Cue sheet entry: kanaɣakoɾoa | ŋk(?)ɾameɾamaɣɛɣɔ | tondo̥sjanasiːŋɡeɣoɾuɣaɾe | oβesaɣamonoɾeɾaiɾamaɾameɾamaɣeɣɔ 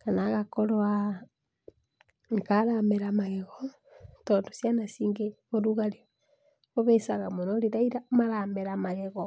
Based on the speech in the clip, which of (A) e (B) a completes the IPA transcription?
B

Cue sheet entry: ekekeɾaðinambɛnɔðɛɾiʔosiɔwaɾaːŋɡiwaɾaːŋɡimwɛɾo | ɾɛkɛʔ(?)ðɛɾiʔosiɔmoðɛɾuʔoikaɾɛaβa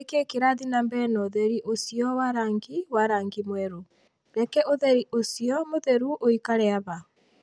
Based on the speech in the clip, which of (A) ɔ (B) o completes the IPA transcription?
B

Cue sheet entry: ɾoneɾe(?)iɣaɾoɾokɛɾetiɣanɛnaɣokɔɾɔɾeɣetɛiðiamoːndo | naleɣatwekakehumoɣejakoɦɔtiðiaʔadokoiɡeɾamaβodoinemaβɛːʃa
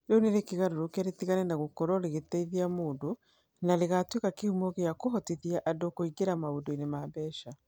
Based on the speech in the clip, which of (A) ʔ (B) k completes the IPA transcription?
B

